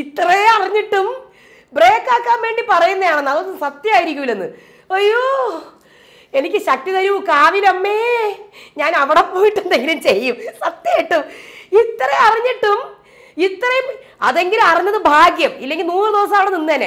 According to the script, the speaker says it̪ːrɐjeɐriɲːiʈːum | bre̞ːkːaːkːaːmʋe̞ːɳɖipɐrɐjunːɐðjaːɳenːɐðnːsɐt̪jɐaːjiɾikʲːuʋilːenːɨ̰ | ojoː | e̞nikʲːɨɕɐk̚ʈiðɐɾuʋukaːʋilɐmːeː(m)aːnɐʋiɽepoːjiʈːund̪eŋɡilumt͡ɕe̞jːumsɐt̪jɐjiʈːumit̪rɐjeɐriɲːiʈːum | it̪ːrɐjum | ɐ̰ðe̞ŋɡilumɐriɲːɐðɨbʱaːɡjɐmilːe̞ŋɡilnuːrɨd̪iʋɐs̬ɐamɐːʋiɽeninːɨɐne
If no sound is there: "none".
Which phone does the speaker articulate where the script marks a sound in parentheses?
ɲ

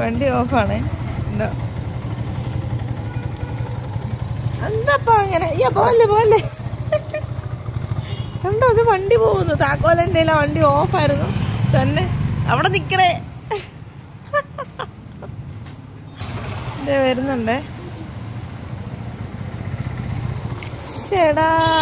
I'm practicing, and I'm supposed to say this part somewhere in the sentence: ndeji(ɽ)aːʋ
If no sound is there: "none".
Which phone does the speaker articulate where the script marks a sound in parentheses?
l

